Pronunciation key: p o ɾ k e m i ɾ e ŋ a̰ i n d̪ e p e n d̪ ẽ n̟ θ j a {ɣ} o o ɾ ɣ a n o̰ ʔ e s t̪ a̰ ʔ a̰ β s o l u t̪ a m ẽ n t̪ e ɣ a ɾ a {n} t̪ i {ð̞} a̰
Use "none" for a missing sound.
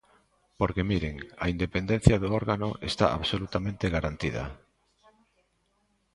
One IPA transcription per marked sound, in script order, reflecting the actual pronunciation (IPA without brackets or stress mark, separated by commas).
ð, n, ð̞